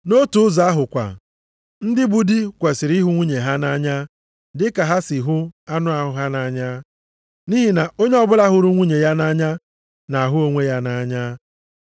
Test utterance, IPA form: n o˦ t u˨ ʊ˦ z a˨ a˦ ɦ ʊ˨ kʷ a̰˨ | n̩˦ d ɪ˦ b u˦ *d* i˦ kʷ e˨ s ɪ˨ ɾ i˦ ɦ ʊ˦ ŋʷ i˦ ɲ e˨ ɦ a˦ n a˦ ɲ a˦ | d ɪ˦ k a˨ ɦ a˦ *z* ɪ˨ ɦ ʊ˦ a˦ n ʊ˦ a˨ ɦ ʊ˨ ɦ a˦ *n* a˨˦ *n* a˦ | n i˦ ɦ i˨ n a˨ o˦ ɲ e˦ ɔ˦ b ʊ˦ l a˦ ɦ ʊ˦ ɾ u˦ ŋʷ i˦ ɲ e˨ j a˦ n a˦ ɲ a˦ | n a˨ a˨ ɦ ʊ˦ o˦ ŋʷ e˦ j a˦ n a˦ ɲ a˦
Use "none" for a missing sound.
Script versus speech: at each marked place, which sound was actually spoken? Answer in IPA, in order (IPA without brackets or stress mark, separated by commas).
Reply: d, s, n, ɲ